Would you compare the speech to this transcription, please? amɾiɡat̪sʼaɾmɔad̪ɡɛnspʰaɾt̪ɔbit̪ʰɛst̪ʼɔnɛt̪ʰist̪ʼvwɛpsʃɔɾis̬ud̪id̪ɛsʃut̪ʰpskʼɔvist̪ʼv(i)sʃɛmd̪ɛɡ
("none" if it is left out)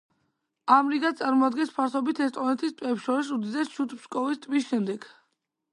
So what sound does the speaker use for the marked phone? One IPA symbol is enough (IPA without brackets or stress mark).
i